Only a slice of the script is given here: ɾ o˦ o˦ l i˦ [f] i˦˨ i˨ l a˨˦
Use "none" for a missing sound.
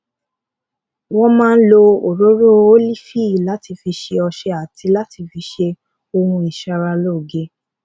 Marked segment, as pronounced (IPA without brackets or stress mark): f